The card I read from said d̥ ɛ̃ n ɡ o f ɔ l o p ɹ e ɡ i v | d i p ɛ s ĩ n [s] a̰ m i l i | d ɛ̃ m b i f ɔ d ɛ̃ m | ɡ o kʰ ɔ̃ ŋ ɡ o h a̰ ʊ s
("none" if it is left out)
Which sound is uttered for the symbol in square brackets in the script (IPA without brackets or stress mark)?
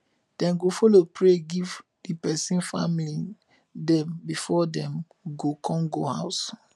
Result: f